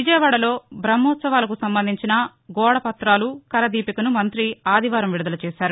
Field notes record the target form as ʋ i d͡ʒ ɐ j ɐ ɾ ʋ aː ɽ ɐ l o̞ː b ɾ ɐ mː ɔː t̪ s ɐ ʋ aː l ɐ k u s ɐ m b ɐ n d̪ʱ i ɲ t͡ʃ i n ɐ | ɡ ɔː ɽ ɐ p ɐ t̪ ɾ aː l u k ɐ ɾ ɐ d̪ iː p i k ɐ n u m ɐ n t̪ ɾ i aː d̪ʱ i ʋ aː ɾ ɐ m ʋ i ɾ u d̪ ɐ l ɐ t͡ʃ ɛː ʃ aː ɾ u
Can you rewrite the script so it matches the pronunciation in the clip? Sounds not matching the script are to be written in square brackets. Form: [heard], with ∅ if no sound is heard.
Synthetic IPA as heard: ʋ i d͡ʒ ɐ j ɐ [∅] ʋ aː ɽ ɐ l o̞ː b ɾ ɐ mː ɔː t̪ s ɐ ʋ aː l ɐ k u s ɐ m b ɐ n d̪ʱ i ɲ t͡ʃ i n ɐ | ɡ ɔː ɽ ɐ p ɐ t̪ ɾ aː l u k ɐ ɾ ɐ d̪ iː p i k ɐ n u m ɐ n t̪ ɾ i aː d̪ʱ i ʋ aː ɾ ɐ m ʋ i [ɽ] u d̪ ɐ l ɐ t͡ʃ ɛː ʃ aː ɾ u